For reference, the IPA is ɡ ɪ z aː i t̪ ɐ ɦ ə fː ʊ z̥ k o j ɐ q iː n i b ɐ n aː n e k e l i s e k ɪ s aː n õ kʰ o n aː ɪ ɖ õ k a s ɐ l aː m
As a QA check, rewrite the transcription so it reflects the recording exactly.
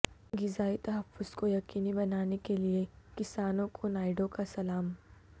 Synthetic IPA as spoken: ɡ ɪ z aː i t̪ ɐ ɦ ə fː ʊ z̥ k o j ɐ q iː n i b ɐ n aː n e k e l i e k ɪ s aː n õ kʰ o n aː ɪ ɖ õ k a s ɐ l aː m